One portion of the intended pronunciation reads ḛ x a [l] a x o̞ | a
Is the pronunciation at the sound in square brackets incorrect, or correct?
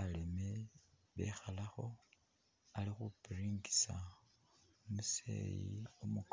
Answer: correct